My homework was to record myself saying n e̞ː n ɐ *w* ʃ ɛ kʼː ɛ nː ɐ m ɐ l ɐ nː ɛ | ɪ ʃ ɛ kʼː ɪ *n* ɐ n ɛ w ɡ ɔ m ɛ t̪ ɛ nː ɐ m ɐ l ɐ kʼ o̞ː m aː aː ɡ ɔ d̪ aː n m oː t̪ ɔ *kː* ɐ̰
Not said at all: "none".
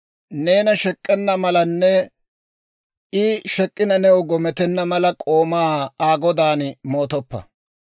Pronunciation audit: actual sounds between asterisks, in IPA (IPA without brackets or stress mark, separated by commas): none, n, pː